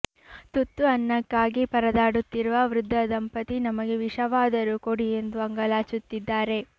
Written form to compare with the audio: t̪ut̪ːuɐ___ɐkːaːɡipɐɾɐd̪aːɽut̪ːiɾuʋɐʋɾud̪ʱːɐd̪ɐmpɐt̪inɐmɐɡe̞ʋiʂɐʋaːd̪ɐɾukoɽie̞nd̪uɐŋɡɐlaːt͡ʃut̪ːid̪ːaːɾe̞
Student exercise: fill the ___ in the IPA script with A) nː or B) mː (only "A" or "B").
A